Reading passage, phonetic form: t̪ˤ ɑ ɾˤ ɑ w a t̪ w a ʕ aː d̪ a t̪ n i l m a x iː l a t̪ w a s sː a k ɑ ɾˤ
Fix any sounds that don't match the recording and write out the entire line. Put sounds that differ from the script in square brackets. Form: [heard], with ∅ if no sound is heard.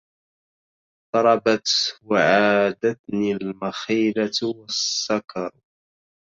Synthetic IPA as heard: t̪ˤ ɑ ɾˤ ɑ [b] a t̪ w a ʕ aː d̪ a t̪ n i l m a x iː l a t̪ w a s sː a k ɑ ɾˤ